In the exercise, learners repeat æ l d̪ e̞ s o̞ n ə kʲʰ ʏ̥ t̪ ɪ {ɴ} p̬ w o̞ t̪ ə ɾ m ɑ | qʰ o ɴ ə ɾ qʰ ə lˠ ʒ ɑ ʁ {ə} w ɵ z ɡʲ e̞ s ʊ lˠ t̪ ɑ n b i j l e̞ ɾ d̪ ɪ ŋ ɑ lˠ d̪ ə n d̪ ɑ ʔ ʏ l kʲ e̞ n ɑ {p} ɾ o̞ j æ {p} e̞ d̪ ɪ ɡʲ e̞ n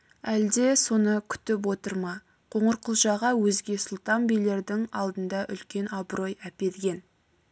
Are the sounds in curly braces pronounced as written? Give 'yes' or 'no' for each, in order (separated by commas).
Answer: no, no, no, yes